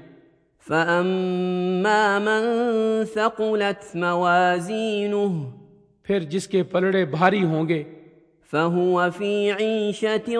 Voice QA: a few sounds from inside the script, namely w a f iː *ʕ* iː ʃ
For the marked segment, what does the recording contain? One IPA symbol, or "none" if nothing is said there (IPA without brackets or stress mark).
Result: ʕ